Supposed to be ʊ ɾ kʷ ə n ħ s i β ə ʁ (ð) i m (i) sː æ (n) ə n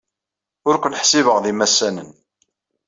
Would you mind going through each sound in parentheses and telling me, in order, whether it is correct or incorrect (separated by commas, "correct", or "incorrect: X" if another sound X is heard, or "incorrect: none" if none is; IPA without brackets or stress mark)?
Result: correct, incorrect: æ, correct